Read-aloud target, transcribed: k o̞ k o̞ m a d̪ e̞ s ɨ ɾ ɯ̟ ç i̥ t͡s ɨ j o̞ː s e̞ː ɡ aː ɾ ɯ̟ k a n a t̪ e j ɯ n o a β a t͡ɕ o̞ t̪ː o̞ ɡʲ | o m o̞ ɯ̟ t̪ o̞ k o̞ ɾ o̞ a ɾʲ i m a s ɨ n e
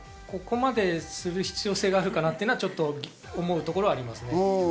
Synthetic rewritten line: k o̞ k o̞ m a d̪ e̞ s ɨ ɾ ɯ̟ ç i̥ t͡s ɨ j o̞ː s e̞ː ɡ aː ɾ ɯ̟ k a n a t̪ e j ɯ n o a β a t͡ɕ o̞ t̪ː o̞ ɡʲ | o m o̞ ɯ̟ t̪ o̞ k o̞ ɾ o̞ a ɾʲ i m a s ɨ n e